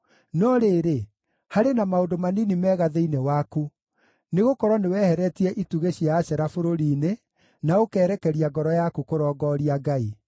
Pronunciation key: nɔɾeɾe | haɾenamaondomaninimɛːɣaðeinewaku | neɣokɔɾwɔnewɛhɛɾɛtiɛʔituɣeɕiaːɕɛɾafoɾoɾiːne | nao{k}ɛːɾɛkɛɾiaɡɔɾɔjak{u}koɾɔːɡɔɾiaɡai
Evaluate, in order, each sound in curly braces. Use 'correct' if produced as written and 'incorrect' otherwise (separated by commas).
correct, correct